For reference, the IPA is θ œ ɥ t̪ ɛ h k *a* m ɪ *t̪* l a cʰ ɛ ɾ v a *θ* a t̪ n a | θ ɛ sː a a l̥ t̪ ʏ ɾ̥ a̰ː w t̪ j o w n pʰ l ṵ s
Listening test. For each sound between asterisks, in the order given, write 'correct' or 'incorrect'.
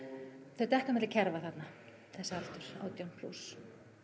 correct, correct, correct

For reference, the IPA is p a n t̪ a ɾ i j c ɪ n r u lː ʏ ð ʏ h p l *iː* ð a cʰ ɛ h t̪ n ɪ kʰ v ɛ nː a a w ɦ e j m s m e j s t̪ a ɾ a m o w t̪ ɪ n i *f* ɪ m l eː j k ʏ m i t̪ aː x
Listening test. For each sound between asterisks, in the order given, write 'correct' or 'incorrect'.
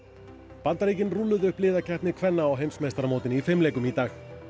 incorrect, correct

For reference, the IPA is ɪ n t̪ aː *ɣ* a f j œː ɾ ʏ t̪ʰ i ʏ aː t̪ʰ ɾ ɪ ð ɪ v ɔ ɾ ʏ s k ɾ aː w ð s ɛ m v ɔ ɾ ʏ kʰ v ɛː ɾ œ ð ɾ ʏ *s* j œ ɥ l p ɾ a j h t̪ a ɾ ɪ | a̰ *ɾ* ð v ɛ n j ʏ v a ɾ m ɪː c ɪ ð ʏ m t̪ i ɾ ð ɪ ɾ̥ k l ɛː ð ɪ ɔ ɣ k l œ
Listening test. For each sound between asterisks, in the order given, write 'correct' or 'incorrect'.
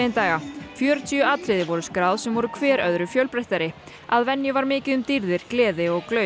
correct, incorrect, incorrect

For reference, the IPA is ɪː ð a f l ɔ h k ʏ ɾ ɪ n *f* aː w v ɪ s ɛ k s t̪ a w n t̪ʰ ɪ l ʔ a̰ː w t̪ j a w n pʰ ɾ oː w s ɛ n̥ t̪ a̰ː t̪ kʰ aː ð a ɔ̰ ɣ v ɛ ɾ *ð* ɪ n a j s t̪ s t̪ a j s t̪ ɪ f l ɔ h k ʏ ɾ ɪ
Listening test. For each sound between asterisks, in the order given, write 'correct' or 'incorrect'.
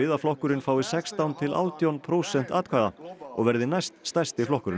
correct, correct

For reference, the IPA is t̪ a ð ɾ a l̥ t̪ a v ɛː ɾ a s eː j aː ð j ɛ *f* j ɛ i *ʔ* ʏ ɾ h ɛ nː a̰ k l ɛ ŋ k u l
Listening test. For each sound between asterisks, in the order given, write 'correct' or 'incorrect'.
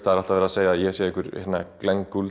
incorrect, incorrect

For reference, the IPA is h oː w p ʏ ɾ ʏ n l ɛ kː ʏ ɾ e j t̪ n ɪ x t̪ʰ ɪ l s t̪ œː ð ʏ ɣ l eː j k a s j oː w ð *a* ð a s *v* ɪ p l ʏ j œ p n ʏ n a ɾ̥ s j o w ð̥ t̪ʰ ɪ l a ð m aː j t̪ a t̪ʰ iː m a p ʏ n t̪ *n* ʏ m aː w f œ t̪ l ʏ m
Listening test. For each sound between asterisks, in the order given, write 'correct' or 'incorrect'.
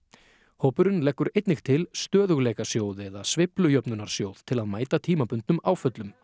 incorrect, correct, correct

